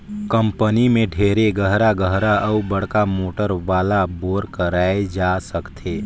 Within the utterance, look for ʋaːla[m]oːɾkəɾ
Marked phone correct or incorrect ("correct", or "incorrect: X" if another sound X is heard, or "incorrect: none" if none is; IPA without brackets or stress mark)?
incorrect: b